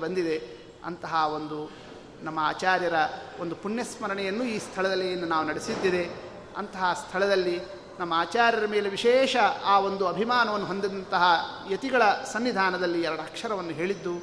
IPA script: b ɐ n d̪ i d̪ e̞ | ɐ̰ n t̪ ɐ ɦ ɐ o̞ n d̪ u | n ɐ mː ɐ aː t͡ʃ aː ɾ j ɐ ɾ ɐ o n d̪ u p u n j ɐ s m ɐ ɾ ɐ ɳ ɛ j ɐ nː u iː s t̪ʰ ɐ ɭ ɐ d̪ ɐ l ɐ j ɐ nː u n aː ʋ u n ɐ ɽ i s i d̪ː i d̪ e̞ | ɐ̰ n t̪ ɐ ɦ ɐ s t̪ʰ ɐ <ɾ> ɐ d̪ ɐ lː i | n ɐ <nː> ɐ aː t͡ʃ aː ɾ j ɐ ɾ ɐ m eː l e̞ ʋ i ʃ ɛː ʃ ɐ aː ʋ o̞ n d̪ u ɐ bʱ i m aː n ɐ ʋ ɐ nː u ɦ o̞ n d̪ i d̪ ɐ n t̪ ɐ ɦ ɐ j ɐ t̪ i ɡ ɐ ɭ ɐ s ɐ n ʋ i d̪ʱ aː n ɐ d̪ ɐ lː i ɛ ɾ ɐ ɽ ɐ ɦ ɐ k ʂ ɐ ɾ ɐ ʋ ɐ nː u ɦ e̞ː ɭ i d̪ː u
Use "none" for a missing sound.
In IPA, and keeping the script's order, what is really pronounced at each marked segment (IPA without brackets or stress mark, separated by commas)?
ɭ, mː